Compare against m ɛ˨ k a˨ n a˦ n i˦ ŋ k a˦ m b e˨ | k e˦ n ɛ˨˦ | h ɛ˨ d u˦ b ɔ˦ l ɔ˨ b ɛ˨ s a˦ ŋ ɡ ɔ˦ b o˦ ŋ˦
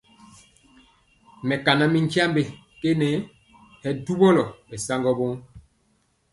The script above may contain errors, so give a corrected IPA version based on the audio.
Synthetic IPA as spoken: m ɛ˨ k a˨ n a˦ m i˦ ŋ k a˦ m b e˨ | k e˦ n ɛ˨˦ | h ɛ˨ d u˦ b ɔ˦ l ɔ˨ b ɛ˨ s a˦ ŋ ɡ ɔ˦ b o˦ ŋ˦